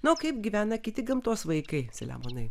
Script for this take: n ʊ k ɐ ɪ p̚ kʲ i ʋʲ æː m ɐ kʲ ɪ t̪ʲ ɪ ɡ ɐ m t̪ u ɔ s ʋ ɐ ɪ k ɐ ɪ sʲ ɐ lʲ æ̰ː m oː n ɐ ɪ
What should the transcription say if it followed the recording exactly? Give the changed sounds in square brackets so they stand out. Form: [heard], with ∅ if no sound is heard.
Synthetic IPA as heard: n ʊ k ɐ ɪ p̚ [ɡʲ] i ʋʲ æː [n] ɐ kʲ ɪ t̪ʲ ɪ ɡ ɐ m t̪ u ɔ s ʋ ɐ ɪ k ɐ ɪ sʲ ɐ lʲ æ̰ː m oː n ɐ ɪ